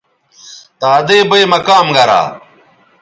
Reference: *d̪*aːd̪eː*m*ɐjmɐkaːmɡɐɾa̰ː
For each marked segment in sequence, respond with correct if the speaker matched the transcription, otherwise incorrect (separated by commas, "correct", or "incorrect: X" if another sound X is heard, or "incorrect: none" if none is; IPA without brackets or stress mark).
incorrect: t̪, incorrect: b